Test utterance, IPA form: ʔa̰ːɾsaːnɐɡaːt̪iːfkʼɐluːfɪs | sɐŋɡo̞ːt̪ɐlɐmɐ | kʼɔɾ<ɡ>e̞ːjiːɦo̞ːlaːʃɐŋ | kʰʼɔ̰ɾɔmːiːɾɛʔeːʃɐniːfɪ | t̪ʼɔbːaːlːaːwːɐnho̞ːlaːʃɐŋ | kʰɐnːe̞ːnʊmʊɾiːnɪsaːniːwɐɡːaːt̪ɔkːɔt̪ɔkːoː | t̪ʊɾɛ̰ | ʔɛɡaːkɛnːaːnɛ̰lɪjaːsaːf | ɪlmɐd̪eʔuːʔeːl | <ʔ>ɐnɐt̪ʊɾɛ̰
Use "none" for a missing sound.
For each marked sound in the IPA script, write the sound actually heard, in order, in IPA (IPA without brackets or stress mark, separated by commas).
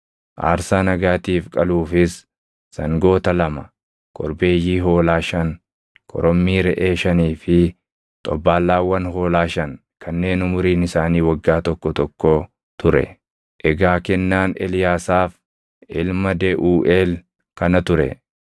b, k